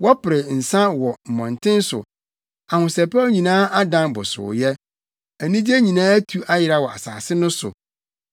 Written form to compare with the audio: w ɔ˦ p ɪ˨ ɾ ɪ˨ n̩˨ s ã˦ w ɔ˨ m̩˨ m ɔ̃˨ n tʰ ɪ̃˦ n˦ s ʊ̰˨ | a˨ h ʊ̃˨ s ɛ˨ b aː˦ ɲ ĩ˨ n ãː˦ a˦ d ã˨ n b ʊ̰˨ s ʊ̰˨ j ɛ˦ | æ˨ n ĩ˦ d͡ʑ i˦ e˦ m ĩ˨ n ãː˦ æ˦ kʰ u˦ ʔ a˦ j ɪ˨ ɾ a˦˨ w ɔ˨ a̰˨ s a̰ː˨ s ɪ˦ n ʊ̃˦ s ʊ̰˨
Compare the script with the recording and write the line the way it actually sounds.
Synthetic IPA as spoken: w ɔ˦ p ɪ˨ ɾ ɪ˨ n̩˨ s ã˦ w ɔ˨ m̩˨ m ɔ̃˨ n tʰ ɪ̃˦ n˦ s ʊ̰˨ | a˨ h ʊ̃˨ s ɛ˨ p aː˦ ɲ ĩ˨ n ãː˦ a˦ d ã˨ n b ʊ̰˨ s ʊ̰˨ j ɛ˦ | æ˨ n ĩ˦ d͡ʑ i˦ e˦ ɲ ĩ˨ n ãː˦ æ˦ tʰ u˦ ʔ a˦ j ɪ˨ ɾ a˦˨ w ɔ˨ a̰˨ s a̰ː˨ s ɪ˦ n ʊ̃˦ s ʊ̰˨